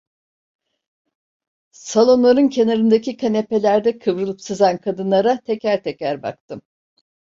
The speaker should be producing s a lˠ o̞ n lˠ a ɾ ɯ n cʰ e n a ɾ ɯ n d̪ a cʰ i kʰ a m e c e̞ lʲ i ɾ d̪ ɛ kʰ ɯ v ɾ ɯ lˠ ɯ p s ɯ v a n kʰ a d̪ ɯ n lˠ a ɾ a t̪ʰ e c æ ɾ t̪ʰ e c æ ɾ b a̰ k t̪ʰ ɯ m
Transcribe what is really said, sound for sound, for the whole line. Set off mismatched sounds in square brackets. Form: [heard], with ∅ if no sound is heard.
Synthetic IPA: s a lˠ o̞ n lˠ a ɾ ɯ n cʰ e n a ɾ ɯ n d̪ a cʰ i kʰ a [n] e [p] e̞ lʲ [æ] ɾ d̪ ɛ kʰ ɯ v ɾ ɯ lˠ ɯ p s ɯ [z] a n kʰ a d̪ ɯ n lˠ a ɾ a t̪ʰ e c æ ɾ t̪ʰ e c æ ɾ b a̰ k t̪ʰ ɯ m